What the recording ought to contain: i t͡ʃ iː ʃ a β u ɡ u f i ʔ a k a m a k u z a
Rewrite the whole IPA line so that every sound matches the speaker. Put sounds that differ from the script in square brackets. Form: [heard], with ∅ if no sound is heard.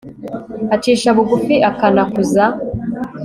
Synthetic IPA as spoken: [a] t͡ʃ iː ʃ a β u ɡ u f i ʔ a k a [n] a k u z a